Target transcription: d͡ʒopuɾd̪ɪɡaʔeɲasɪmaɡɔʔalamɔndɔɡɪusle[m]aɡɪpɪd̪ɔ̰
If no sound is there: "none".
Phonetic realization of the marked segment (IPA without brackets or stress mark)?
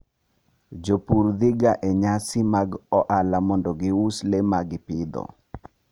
m